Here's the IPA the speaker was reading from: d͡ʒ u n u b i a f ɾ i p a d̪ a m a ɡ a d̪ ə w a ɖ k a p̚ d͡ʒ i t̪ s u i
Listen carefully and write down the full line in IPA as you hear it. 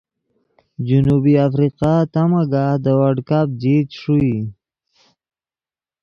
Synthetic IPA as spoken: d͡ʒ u n u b i a f ɾ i q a t̪ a m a ɡ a d̪ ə w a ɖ k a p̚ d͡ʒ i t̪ ʂ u i